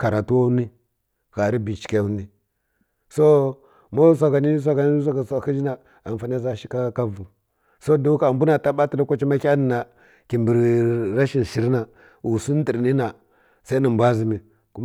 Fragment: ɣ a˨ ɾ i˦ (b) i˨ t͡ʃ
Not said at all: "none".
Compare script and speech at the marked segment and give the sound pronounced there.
b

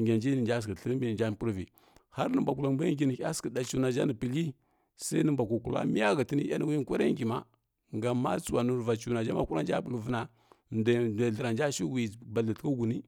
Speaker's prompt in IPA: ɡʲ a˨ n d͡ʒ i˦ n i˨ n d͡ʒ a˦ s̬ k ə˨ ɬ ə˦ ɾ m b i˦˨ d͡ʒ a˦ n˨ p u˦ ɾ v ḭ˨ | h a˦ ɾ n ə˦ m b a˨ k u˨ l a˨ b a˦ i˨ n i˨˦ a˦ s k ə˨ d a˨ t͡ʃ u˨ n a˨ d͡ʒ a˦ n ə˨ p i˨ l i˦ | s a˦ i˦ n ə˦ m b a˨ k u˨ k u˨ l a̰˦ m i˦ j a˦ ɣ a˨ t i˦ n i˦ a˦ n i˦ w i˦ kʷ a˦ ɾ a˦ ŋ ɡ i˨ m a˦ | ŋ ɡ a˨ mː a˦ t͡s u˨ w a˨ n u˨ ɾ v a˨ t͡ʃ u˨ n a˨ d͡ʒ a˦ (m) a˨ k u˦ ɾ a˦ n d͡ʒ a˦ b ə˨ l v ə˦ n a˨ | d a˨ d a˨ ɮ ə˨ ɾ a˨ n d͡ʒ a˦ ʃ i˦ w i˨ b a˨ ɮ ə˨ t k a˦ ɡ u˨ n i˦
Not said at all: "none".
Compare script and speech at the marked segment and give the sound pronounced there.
m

